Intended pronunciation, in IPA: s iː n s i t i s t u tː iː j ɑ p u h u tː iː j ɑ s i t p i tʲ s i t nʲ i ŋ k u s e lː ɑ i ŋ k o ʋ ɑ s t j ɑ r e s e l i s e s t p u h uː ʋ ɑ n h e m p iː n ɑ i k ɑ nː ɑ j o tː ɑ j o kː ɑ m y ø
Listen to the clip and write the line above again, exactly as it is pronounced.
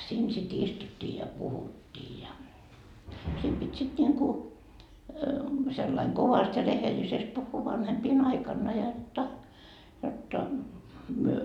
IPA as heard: s iː n s i t i s t u tː iː j ɑ p u h u tː iː j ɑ s i t p i tʲ s i t nʲ i ŋ k u s e lː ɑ i ŋ k o ʋ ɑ s t j ɑ r e h e l i s e s t p u hː uː ʋ ɑ n h e m p iː n ɑ i k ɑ nː ɑ j o tː ɑ j o tː ɑ m y ø